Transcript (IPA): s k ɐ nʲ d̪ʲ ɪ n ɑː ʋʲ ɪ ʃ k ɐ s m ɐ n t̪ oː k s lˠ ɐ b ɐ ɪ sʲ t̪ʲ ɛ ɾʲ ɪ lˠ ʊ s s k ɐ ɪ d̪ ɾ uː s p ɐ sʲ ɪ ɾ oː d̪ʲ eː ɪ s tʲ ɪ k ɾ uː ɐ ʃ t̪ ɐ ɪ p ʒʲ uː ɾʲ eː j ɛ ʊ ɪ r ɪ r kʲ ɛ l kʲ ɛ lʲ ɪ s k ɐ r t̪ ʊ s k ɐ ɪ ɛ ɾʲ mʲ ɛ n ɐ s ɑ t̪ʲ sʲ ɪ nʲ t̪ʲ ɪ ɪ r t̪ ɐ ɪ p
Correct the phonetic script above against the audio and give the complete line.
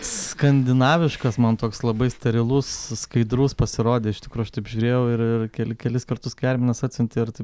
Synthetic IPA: s k ɐ nʲ d̪ʲ ɪ n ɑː ʋʲ ɪ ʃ k ɐ s m ɐ n t̪ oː k s lˠ ɐ b ɐ ɪ sʲ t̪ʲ ɛ ɾʲ ɪ lˠ ʊ s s k ɐ ɪ d̪ ɾ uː s p ɐ sʲ ɪ ɾ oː d̪ʲ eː ɪ ʃ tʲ ɪ k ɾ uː ɐ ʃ t̪ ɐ ɪ p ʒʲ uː ɾʲ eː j ɛ ʊ ɪ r ɪ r kʲ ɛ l kʲ ɛ lʲ ɪ s k ɐ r t̪ ʊ s k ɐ ɪ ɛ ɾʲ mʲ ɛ n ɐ s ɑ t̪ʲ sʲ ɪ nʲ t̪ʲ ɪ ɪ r t̪ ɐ ɪ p